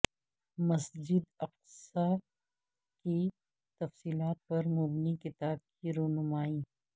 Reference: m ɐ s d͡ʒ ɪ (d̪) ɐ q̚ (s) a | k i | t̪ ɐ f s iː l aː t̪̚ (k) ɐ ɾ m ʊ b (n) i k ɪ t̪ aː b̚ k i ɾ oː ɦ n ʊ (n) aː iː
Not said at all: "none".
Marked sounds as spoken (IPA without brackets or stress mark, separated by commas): d̪, s, p, n, m